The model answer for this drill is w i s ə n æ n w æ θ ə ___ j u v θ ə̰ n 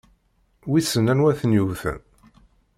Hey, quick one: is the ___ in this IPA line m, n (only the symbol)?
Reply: n